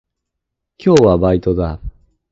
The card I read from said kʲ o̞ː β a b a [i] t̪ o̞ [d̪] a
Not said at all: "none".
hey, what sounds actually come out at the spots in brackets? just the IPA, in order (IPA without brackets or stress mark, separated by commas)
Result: i, d̪